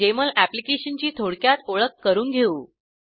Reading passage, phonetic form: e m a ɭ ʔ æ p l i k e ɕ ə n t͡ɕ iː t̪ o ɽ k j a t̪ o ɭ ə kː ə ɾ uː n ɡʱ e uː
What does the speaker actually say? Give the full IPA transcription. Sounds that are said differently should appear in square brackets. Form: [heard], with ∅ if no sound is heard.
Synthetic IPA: e m [ə] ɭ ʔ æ p l i k e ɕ ə n t͡ɕ iː [t̪ʰ] o ɽ k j a t̪ o ɭ ə kː ə ɾ uː n ɡʱ e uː